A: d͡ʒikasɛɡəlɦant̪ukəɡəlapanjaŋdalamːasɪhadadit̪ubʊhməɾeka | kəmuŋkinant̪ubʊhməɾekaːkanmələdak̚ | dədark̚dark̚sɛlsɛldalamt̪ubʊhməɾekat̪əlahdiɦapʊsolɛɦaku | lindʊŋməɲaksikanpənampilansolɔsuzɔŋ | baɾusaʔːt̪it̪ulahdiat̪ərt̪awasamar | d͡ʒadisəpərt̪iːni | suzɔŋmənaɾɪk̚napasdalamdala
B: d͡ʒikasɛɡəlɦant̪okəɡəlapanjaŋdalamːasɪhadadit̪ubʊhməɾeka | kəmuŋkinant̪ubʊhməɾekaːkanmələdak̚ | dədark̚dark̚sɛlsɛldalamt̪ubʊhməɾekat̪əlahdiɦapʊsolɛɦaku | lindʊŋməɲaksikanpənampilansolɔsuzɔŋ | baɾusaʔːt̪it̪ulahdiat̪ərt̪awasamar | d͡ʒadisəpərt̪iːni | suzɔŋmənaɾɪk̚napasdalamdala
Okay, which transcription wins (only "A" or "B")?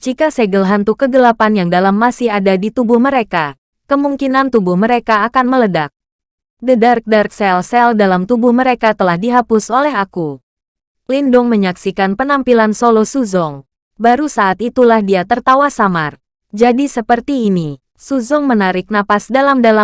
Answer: A